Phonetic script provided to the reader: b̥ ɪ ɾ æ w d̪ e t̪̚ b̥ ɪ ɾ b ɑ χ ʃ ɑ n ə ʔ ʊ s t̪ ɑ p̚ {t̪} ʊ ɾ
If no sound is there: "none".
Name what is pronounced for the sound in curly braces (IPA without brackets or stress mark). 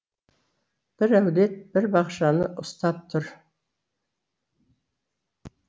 t̪ʰ